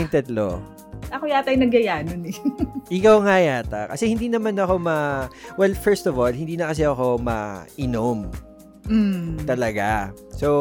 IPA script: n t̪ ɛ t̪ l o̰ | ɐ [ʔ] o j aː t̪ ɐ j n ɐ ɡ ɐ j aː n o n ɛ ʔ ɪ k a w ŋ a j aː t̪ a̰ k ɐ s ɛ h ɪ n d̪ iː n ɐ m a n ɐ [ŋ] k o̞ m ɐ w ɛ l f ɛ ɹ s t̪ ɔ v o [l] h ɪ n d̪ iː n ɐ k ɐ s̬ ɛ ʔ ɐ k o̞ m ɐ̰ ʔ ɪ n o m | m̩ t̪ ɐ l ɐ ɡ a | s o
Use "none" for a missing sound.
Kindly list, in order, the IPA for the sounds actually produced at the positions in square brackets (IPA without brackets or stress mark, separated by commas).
k, none, l